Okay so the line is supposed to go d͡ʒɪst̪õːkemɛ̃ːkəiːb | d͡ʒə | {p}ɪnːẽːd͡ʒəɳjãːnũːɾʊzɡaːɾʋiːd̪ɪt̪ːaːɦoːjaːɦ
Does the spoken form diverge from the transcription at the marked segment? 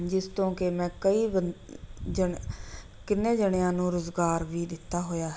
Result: yes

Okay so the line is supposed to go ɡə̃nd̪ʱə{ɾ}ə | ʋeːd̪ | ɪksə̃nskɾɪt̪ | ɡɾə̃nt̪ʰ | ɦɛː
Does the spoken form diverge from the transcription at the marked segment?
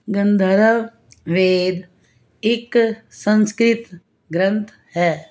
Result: no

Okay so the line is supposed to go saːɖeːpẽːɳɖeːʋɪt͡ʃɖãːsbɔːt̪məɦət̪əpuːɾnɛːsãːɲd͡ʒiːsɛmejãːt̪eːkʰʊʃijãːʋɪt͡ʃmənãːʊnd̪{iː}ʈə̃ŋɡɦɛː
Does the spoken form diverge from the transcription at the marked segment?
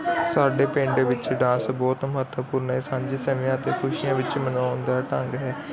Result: yes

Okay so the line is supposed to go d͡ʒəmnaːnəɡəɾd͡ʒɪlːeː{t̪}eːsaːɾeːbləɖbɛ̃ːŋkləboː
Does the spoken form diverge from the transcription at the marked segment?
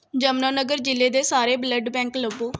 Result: yes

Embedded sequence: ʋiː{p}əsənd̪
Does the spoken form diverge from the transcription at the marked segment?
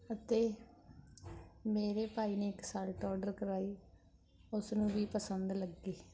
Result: no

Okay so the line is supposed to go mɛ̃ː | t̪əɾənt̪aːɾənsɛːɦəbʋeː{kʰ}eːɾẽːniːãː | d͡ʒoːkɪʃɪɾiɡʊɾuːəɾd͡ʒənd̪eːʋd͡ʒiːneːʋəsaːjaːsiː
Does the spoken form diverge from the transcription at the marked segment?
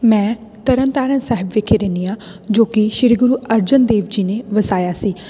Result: no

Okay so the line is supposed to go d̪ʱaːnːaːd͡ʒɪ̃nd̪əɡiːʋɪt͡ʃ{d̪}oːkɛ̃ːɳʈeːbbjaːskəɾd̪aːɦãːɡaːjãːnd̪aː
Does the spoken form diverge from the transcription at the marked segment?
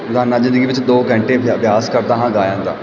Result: no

